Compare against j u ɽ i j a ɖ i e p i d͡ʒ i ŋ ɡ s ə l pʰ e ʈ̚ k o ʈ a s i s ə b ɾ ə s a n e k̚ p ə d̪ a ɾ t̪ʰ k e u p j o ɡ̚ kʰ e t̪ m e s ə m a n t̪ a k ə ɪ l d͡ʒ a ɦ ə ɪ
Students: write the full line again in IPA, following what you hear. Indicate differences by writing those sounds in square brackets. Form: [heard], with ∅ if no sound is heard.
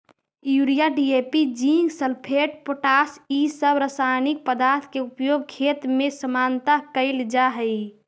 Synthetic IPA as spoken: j u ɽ i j a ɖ i e p i d͡ʒ i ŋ ɡ s ə l pʰ e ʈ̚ [p] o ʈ a s i s ə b ɾ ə s a n [i] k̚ p ə d̪ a ɾ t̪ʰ k e u p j o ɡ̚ kʰ e t̪ m e s ə m a n t̪ a k ə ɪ l d͡ʒ a ɦ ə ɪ

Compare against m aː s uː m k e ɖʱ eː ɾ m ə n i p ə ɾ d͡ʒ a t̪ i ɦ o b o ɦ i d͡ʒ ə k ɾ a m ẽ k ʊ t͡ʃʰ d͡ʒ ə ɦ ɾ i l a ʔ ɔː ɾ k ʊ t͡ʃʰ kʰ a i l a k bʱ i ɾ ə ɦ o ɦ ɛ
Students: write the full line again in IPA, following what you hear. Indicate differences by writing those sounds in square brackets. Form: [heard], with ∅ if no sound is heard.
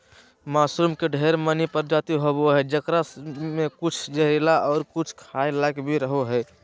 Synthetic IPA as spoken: m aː s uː m k e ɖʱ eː ɾ m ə n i p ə ɾ d͡ʒ a t̪ i ɦ o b o ɦ [ɛ] d͡ʒ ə k ɾ a m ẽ k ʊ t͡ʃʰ d͡ʒ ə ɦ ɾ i l a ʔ ɔː ɾ k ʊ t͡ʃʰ kʰ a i l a k bʱ i ɾ ə ɦ o ɦ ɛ

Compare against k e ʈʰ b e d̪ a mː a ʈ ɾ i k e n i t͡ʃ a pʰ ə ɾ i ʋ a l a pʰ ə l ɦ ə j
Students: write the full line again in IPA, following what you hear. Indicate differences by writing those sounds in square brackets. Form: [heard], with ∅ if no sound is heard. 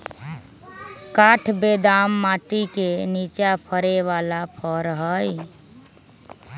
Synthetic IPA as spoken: k [a] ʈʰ b e d̪ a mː a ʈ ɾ i k e n i t͡ʃ a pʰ ə ɾ [e] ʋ a l a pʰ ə [ɾ] ɦ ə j

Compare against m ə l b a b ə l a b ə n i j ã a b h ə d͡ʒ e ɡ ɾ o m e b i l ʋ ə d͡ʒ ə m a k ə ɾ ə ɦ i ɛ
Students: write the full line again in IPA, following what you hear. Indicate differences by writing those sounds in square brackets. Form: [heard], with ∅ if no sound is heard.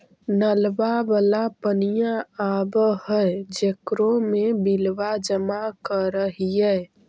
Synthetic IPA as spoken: [n] ə l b a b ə l a [p] ə n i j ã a b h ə d͡ʒ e [k] ɾ o m e b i l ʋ [a] d͡ʒ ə m a k ə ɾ ə ɦ i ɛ

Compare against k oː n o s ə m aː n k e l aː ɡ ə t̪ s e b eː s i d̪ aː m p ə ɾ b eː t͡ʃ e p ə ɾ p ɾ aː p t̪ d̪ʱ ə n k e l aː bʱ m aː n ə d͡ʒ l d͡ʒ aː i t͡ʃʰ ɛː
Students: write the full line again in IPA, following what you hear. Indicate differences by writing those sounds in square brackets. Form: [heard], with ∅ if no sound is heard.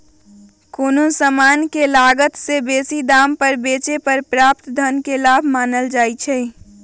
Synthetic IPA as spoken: k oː n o s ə m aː n k e l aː ɡ ə t̪ s e b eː s i d̪ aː m p ə ɾ b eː t͡ʃ e p ə ɾ p ɾ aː p t̪ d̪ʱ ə n k e l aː bʱ m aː n ə [∅] l d͡ʒ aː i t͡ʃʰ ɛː

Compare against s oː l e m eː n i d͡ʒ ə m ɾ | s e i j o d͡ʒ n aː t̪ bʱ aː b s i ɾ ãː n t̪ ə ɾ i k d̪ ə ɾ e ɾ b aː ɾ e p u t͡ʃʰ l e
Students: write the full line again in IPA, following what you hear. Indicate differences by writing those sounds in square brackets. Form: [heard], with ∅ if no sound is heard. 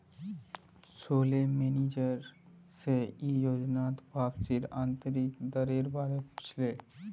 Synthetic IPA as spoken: s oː l e m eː n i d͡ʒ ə [∅] ɾ | s e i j o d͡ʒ n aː t̪ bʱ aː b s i ɾ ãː n t̪ ə ɾ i k d̪ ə ɾ e ɾ b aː ɾ e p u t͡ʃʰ l e

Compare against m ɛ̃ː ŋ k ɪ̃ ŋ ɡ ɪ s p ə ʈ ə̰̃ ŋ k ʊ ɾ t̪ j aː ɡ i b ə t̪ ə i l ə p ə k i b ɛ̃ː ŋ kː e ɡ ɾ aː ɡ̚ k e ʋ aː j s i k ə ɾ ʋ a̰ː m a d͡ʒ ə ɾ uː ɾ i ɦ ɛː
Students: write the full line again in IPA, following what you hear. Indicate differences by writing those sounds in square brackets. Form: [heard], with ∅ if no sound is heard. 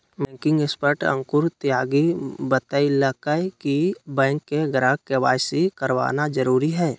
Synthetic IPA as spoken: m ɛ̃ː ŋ k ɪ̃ ŋ ɡ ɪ s p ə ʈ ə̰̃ ŋ k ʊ ɾ t̪ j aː ɡ i b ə t̪ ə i l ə [k] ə k i b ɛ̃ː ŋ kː e ɡ ɾ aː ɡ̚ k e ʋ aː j s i k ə ɾ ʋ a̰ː [n] a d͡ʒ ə ɾ uː ɾ i ɦ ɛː

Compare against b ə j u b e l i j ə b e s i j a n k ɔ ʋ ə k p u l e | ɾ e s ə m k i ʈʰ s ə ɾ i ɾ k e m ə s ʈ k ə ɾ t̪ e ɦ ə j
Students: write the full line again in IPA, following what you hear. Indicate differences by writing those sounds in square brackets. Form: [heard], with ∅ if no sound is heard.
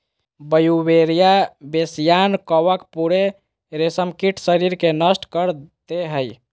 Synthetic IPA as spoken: b ə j u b e [ɾ] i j [a] b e s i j a n k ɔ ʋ ə k p u [ɾ] e | ɾ e s ə m k i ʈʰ s ə ɾ i ɾ k e [n] ə s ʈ k ə ɾ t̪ e ɦ ə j

